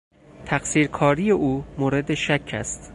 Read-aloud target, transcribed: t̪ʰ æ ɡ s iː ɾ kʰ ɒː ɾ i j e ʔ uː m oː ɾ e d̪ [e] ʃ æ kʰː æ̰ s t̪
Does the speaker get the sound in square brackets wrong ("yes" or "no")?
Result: no